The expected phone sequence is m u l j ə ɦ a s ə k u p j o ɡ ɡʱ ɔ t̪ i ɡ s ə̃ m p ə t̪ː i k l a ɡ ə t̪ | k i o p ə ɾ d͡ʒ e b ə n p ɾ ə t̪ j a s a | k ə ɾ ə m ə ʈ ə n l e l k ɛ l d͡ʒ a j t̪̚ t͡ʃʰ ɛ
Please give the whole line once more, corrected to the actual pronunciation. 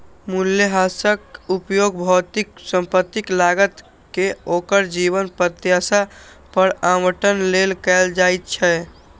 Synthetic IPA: m u l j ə ɦ a s ə k u p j o ɡ bʱ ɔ t̪ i k s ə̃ m p ə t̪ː i k l a ɡ ə t̪ | k e o k ə ɾ d͡ʒ i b ə n p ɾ ə t̪ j a s a | p ə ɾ a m ə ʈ ə n l e l k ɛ l d͡ʒ a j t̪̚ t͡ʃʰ ɛ